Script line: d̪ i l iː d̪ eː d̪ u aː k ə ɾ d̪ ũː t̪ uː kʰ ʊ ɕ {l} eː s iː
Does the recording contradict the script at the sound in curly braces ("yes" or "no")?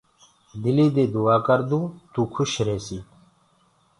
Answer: yes